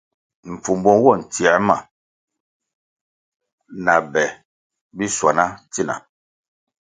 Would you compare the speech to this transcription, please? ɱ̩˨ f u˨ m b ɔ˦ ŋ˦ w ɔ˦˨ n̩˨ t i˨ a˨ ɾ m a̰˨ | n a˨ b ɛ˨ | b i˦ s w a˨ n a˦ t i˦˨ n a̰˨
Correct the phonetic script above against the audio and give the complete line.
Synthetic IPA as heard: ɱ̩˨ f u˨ m b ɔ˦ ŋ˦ w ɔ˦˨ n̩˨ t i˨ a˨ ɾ m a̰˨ | n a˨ b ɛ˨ | b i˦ s w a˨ n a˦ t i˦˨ n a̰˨